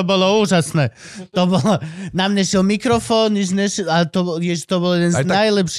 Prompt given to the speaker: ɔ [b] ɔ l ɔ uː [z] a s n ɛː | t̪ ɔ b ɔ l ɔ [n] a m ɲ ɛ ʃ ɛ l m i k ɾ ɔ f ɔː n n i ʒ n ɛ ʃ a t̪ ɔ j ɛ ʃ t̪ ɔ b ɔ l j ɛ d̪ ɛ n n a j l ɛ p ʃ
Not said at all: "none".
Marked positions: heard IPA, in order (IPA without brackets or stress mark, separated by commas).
b, ʒ, n